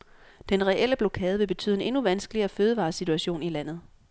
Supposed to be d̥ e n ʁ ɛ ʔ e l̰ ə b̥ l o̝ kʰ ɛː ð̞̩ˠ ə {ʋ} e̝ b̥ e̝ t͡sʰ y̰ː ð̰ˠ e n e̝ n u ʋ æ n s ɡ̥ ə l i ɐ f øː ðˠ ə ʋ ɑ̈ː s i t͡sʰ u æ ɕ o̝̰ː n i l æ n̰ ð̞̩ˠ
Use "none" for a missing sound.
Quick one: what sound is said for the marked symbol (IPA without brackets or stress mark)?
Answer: ʋ